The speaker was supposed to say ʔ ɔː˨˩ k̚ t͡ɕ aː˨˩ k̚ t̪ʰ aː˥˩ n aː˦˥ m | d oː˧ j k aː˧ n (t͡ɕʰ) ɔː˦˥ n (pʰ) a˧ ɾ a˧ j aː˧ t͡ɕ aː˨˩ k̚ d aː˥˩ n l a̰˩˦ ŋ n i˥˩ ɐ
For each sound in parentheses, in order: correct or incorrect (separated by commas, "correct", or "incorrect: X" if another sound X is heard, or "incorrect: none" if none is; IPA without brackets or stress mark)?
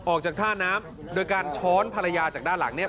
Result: correct, correct